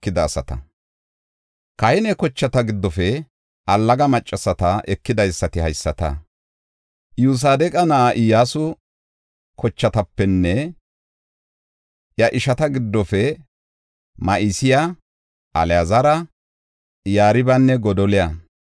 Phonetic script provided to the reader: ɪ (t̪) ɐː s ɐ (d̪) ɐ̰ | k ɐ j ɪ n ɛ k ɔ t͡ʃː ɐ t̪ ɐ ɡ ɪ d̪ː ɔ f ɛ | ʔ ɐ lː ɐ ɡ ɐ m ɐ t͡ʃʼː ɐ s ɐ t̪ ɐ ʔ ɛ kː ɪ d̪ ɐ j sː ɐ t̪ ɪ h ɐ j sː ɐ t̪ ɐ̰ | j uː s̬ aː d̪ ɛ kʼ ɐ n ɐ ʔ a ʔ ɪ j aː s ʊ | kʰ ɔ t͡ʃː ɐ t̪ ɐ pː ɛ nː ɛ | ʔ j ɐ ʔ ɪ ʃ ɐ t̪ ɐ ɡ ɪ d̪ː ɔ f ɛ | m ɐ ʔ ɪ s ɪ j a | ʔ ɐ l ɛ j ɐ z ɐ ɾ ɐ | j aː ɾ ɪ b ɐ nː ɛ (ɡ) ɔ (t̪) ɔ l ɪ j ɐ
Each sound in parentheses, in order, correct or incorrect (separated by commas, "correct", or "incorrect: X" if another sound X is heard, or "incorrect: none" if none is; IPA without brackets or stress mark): incorrect: d̪, incorrect: t̪, correct, incorrect: d̪